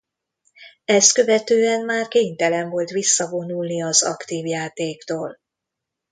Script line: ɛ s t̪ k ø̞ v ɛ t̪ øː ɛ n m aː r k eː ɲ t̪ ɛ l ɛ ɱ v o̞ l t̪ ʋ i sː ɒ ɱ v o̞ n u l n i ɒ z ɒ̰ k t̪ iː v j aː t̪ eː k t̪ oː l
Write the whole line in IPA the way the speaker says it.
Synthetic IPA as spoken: ɛ s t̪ k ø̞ v ɛ t̪ øː ɛ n m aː r k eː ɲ t̪ ɛ l ɛ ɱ v o̞ l t̪ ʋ i sː ɒ v o̞ n u l n i ɒ z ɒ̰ k t̪ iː v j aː t̪ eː k t̪ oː l